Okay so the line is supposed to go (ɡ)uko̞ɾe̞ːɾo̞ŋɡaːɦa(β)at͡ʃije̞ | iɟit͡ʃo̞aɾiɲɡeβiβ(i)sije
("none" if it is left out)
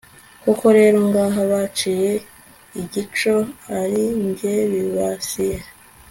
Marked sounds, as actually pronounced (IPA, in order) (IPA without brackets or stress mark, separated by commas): k, β, a